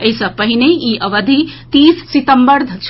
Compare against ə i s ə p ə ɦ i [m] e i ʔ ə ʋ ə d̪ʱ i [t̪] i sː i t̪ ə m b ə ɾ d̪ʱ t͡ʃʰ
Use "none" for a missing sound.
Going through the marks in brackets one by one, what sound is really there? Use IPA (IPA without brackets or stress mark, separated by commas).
n, t̪